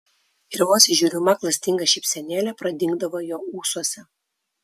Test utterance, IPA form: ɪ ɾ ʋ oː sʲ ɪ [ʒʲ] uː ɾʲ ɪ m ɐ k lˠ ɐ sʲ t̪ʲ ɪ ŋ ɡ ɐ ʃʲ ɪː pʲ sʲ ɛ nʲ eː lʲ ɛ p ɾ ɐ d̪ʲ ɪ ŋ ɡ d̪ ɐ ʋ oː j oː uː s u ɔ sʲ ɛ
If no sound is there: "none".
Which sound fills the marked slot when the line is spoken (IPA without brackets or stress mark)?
ʒʲ